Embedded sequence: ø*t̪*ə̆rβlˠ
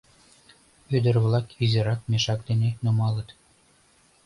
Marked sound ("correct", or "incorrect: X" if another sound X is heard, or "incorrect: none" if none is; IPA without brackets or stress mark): incorrect: d̪